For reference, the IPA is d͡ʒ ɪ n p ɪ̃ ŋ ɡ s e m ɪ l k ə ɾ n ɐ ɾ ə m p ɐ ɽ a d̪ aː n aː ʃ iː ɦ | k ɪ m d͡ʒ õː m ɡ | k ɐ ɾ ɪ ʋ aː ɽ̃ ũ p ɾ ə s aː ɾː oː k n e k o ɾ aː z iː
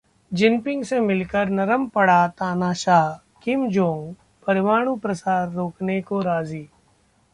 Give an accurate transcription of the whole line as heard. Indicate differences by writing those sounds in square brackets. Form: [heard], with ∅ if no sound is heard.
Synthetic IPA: d͡ʒ ɪ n p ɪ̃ ŋ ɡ s e m ɪ l k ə ɾ n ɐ ɾ ə m p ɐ ɽ a [t̪] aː n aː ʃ [aː] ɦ | k ɪ m d͡ʒ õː [ŋ] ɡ | [p] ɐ ɾ ɪ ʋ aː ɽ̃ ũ p ɾ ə s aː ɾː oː k n e k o ɾ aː z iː